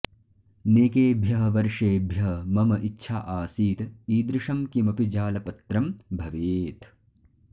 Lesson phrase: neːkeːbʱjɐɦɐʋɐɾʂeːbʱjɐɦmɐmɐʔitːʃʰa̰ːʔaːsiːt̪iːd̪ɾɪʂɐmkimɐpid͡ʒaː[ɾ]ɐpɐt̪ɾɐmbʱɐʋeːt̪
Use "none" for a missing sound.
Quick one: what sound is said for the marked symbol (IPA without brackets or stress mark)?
l